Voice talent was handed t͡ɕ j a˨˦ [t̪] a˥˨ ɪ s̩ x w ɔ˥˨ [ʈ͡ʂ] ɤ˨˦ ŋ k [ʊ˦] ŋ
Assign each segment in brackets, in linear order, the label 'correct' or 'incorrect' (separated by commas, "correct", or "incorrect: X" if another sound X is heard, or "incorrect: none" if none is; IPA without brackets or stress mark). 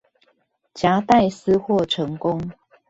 correct, incorrect: ʈ͡ʂʰ, correct